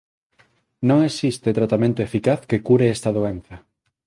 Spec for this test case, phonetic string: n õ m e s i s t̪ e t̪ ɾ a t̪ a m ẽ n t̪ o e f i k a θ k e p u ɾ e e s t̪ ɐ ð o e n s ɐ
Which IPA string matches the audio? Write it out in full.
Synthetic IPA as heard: n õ ŋ e s i s t̪ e t̪ ɾ a t̪ a m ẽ n t̪ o e f i k a θ k e k u ɾ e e s t̪ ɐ ð o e n θ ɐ